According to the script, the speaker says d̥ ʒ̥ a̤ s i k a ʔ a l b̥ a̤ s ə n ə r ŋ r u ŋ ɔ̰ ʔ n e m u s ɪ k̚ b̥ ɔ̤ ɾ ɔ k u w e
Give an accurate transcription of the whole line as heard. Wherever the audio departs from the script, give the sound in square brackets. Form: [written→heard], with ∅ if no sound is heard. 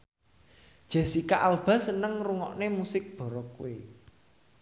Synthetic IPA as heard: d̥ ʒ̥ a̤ s i k a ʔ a l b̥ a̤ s ə n ə [r→∅] ŋ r u ŋ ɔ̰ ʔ n e m u s ɪ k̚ b̥ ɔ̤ ɾ ɔ k u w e